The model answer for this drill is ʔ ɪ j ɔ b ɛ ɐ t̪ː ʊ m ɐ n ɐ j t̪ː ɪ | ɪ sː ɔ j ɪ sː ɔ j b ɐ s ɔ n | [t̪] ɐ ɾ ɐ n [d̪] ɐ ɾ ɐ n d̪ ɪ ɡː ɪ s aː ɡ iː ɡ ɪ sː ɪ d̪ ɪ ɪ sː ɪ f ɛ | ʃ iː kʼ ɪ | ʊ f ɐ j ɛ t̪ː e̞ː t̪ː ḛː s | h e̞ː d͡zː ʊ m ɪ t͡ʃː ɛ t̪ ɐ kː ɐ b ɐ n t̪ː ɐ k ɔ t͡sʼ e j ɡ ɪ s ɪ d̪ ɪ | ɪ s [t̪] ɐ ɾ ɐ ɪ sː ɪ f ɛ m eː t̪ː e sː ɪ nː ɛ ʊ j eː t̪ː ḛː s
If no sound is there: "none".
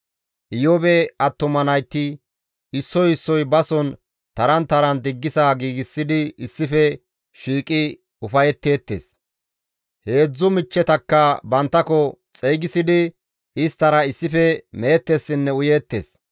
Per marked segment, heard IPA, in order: t̪, t̪, t̪

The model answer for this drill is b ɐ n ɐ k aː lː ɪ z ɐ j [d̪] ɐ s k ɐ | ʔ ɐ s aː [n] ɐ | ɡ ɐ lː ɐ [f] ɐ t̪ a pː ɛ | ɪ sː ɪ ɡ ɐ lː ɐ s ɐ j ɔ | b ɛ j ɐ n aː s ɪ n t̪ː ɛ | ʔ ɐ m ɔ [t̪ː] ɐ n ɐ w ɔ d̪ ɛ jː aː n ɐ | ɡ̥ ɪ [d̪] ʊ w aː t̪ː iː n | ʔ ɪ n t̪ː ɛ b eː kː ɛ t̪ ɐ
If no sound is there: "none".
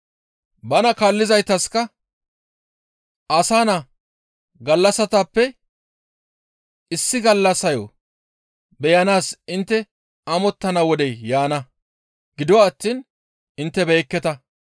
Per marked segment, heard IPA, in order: t̪, n, s, t̪ː, d̪

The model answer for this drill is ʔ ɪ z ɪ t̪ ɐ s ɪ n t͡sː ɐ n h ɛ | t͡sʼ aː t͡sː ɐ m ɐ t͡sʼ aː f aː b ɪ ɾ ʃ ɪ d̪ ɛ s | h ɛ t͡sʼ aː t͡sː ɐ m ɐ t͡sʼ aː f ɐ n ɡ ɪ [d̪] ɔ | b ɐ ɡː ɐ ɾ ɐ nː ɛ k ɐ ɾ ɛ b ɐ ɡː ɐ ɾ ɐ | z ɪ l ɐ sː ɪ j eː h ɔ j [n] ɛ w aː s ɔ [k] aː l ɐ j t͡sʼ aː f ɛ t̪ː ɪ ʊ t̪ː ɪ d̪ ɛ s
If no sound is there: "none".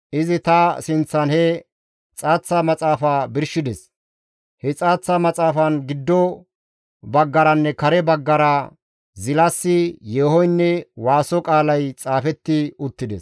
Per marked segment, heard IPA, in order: d̪ː, nː, kʼ

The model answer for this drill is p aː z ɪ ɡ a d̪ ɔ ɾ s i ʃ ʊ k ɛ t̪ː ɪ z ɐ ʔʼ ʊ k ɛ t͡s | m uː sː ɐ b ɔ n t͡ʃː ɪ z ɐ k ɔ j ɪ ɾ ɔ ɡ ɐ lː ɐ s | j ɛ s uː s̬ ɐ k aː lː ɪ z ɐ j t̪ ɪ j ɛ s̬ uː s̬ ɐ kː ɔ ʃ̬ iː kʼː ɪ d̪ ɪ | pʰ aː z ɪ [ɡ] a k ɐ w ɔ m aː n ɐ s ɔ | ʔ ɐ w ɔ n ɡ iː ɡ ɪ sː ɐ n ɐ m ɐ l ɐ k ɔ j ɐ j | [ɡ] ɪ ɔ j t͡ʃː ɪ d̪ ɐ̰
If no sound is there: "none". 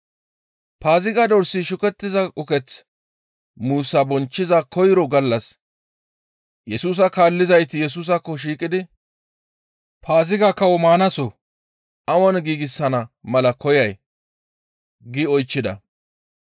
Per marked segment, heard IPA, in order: ɡ, ɡ

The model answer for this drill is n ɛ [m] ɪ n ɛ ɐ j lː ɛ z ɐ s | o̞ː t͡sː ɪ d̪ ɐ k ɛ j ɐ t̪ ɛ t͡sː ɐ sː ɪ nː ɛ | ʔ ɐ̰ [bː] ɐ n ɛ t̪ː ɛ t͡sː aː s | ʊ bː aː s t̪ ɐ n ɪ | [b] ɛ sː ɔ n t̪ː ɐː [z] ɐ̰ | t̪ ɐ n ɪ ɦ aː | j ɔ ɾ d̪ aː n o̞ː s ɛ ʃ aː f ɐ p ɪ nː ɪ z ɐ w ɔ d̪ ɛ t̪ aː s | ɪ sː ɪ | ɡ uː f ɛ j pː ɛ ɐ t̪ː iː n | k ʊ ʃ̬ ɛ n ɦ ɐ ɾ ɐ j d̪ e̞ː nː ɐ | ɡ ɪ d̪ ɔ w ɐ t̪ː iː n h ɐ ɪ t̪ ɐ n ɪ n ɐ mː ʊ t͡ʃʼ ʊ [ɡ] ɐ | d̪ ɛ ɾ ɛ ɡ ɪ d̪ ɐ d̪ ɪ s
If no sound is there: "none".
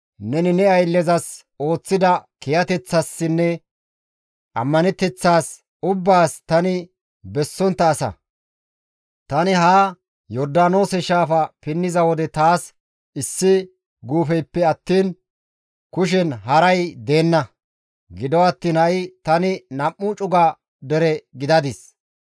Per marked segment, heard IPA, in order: n, mː, b, s, ɡ

